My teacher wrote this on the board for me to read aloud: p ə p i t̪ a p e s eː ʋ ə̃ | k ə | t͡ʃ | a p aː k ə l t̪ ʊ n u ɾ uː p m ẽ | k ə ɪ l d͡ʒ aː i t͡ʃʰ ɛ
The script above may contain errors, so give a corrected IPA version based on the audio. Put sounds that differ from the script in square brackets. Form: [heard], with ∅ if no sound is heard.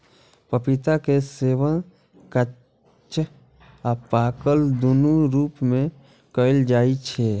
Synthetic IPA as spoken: p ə p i t̪ a [k] e s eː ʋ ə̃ | k ə | t͡ʃ | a p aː k ə l [d̪] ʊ n u ɾ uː p m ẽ | k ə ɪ l d͡ʒ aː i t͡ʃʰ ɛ